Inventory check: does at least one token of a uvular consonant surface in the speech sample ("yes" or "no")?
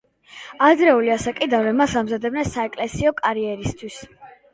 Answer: no